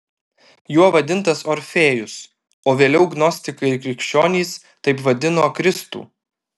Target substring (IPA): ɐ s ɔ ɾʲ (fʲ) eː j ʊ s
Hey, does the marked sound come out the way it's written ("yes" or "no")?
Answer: yes